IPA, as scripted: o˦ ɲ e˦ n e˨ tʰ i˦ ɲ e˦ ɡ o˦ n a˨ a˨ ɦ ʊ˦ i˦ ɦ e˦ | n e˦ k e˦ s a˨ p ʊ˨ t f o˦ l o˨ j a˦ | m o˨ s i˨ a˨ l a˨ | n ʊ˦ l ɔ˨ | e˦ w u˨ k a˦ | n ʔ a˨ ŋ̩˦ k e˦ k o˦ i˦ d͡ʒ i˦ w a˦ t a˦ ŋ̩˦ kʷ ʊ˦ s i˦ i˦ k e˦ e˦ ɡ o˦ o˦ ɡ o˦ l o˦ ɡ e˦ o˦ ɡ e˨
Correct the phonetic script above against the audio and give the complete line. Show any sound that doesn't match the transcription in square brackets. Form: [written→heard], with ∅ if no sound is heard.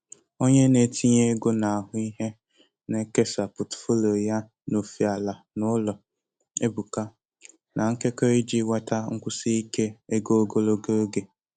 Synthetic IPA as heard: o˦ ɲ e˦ n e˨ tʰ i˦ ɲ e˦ ɡ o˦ n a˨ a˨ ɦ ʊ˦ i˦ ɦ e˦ | n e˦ k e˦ s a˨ p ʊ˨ t f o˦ l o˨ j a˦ | [m→n] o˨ [s→f] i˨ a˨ l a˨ | n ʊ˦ l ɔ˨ | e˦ [w→b] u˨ k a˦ | n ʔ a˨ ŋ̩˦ k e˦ k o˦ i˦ d͡ʒ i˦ w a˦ t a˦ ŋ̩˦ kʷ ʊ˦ s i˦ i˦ k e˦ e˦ ɡ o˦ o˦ ɡ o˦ l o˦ ɡ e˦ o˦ ɡ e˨